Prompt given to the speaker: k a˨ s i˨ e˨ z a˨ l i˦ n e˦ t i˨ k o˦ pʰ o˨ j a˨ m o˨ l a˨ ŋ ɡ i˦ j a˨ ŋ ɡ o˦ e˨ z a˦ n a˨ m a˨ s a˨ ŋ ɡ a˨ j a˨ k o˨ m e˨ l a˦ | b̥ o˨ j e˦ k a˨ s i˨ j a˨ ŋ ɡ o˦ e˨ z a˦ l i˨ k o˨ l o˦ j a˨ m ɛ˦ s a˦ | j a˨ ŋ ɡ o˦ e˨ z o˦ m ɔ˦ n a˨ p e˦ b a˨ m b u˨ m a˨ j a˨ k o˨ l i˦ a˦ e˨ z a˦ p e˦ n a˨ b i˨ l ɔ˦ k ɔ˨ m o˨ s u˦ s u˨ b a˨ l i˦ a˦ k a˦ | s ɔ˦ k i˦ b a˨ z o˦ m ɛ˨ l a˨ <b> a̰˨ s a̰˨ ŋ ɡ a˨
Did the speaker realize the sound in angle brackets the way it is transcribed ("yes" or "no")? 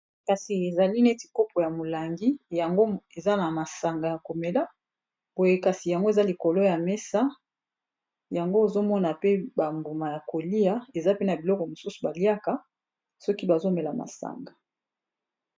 no